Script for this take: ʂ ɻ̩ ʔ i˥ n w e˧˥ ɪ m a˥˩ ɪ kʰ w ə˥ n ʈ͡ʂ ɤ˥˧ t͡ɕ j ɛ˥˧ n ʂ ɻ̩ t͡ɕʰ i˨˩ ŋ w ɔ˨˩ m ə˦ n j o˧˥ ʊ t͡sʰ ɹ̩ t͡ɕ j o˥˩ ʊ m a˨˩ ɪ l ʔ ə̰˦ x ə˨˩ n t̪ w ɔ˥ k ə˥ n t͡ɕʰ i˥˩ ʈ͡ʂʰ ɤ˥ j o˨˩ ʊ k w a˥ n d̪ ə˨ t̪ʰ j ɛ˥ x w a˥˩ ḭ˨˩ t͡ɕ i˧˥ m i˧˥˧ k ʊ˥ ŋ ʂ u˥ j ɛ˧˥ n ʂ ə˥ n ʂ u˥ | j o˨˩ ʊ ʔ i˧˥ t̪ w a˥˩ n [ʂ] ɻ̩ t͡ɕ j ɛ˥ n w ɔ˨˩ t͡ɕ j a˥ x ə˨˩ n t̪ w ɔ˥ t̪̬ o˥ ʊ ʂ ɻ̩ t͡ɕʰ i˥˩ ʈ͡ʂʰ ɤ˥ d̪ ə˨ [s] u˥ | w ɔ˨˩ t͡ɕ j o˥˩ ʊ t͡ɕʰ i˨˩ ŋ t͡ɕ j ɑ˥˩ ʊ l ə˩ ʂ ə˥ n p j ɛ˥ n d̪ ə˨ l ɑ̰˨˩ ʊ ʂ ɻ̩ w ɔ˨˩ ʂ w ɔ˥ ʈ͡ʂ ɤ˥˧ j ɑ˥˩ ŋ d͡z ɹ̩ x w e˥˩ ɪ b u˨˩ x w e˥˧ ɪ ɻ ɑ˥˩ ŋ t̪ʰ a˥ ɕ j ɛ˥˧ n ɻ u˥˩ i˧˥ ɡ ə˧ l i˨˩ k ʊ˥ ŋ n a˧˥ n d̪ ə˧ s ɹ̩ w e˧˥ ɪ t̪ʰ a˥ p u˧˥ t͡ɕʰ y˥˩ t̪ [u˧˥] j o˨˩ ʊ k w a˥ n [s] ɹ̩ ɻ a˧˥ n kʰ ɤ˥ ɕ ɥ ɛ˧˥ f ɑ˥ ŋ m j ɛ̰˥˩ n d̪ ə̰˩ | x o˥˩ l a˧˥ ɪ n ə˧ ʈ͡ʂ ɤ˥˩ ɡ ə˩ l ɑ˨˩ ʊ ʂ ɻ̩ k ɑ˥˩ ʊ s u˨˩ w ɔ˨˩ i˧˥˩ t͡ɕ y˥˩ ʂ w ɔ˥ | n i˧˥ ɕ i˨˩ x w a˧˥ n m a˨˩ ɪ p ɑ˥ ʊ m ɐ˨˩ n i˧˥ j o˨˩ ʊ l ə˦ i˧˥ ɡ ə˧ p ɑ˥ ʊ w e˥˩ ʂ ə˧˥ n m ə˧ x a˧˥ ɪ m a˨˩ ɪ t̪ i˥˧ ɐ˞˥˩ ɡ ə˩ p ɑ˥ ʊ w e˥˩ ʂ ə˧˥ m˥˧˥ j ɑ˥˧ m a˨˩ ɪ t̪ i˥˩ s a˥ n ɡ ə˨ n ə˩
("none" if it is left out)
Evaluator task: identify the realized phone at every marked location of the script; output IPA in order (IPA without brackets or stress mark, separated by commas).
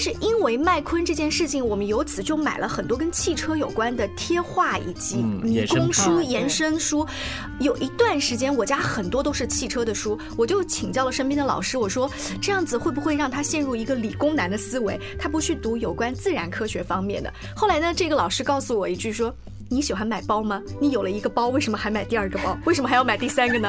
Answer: ʂ, ʂ, u˧˥, t͡s